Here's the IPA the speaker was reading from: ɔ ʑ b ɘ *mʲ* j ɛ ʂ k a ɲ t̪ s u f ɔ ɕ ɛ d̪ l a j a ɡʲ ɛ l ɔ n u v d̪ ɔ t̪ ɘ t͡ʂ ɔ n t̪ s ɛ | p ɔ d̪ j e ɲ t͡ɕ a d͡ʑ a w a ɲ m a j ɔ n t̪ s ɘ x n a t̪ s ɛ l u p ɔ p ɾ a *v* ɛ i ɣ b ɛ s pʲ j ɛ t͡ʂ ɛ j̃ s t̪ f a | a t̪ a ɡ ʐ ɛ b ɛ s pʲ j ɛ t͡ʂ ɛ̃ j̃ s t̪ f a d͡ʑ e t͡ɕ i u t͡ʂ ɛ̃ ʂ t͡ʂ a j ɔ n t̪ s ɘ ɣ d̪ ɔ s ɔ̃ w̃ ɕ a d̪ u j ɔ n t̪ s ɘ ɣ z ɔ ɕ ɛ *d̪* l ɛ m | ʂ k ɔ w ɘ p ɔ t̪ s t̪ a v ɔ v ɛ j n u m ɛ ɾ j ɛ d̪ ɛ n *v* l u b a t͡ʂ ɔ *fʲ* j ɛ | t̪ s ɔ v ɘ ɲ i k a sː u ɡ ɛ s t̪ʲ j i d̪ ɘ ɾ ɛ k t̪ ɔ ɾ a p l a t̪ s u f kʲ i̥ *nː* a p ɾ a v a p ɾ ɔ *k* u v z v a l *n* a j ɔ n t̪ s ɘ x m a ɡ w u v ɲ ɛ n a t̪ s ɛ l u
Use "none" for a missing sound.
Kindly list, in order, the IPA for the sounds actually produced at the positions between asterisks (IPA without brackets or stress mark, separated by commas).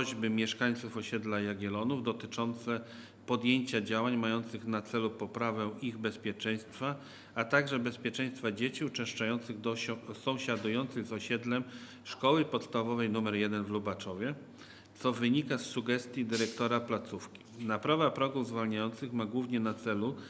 mʲ, v, d̪, v, vʲ, n, ɡ, ɲ